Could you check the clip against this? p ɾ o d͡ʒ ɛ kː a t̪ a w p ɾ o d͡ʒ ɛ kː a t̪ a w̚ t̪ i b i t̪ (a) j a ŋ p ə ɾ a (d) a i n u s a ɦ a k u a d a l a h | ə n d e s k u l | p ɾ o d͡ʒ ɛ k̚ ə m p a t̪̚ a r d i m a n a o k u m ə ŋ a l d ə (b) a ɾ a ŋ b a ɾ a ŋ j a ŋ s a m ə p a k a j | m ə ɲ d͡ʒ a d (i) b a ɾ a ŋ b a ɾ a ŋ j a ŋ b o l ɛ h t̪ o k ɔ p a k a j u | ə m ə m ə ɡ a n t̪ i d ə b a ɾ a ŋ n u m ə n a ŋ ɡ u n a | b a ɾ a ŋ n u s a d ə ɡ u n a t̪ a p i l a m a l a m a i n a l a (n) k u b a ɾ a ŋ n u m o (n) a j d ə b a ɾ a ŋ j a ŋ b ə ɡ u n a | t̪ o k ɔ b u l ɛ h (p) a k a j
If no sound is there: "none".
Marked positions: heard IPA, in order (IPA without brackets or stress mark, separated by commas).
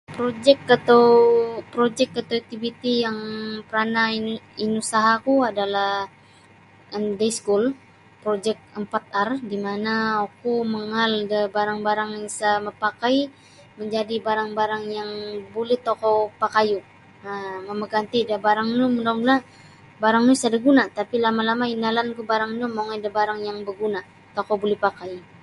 i, n, b, i, n, ŋ, p